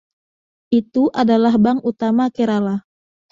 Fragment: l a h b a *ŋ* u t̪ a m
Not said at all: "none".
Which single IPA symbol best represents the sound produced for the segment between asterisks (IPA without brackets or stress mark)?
ŋ